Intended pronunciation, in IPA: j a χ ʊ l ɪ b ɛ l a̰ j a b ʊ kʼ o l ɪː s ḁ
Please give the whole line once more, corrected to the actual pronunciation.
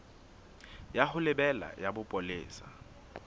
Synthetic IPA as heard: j a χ ʊ l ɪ b ɛ l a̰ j a b ʊ pʼ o l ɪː s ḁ